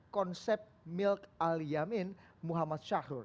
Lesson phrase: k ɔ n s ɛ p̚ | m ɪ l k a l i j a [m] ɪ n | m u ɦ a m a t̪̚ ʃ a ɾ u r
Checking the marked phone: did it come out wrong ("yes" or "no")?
no